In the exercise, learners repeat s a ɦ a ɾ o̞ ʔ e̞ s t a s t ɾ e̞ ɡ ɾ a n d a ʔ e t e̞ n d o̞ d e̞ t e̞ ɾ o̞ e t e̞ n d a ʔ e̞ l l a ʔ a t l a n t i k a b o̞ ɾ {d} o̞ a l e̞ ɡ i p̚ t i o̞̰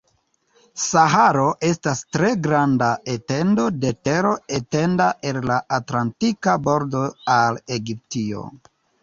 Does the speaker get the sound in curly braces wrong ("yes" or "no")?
no